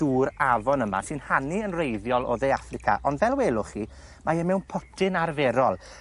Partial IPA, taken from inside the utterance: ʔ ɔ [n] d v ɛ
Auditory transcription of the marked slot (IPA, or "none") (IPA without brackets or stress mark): n